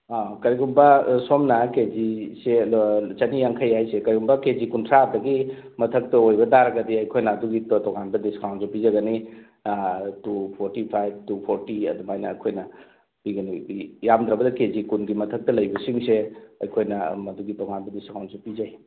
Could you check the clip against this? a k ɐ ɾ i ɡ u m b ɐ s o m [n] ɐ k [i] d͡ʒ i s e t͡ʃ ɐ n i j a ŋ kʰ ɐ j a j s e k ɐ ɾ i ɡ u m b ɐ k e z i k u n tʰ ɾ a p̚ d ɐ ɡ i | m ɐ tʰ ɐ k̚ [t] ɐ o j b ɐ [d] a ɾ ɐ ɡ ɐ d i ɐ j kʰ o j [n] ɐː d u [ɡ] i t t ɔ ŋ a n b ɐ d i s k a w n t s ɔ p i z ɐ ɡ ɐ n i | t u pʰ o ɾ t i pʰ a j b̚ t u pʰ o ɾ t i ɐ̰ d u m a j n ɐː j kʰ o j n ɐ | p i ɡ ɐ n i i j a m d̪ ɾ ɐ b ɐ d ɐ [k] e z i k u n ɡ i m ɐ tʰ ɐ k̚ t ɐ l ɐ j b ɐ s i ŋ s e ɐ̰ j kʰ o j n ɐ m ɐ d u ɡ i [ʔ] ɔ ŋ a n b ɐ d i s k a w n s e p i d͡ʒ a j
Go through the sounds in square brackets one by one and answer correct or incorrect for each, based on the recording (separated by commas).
correct, incorrect, correct, correct, correct, correct, correct, incorrect